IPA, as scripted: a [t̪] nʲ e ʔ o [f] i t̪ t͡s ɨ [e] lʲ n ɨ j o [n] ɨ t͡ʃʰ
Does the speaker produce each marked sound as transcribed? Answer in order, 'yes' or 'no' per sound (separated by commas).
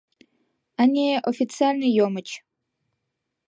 no, yes, no, no